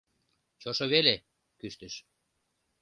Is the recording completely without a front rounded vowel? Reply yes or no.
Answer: no